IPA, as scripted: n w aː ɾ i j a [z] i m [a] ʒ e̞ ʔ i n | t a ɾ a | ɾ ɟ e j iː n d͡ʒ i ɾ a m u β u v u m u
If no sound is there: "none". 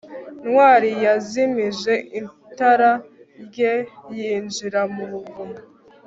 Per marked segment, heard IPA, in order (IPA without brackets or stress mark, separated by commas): z, i